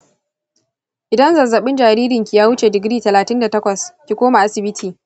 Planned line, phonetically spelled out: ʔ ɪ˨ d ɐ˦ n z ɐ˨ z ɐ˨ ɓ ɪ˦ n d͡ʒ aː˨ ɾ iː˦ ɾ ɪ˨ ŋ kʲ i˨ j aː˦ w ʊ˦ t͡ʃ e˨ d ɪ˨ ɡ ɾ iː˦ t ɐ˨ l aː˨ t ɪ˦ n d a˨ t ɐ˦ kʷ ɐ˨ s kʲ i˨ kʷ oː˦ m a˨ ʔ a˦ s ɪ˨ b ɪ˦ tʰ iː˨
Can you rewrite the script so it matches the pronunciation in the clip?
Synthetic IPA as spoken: ʔ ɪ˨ d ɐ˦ n z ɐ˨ z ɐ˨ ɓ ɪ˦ n d͡ʒ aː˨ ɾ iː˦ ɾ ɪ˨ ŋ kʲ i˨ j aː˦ w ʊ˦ t͡ʃ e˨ d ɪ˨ ɡ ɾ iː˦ t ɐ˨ l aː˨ t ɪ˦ n d a˨ t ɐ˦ kʷ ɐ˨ s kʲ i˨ kʷ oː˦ m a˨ ʔ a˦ s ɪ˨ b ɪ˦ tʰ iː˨